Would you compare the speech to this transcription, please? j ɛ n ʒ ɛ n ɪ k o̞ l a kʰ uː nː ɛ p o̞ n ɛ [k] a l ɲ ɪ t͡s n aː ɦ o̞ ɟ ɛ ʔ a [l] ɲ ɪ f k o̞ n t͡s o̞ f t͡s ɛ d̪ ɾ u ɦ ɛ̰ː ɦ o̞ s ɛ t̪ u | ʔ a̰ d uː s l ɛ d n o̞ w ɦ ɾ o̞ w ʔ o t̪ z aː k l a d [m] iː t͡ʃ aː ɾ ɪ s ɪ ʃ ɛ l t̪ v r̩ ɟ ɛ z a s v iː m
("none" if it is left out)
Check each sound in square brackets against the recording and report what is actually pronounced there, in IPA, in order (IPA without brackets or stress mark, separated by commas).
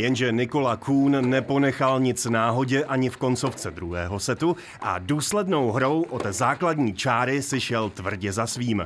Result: x, none, ɲ